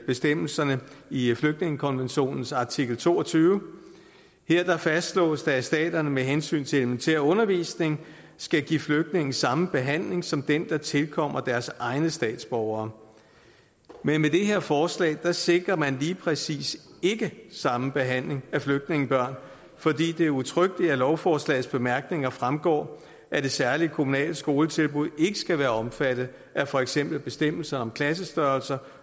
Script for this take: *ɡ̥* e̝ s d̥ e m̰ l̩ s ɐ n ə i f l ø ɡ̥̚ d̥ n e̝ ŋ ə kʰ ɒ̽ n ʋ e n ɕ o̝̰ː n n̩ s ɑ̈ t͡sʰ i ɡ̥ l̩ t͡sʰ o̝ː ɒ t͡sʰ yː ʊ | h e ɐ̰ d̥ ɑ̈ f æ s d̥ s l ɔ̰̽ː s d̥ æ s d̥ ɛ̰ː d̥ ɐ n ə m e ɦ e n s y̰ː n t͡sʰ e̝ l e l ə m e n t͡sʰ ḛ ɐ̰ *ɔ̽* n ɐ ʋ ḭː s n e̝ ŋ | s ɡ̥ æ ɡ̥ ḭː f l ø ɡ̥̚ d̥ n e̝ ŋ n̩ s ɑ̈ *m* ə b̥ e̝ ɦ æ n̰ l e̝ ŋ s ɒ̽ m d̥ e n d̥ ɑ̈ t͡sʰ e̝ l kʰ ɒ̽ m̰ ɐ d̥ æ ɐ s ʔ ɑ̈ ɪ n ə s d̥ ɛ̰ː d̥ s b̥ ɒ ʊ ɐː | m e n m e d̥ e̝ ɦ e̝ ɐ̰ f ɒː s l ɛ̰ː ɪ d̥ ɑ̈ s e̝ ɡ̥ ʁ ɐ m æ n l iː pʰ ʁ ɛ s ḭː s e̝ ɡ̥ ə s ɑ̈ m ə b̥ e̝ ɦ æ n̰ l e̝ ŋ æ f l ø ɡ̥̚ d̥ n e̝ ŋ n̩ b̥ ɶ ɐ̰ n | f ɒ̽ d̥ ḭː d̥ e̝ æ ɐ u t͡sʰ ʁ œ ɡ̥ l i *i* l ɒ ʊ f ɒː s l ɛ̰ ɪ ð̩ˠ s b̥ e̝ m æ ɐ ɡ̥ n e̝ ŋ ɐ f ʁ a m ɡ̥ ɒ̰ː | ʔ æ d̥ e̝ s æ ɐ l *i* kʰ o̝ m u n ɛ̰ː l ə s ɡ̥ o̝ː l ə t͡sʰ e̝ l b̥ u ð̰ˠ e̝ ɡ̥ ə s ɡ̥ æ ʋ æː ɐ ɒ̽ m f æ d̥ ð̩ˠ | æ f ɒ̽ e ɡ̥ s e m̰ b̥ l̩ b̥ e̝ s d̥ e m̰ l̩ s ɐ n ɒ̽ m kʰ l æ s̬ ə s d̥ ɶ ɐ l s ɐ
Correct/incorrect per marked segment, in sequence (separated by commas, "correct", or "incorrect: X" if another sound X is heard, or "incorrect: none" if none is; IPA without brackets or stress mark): incorrect: b̥, correct, correct, incorrect: æ, correct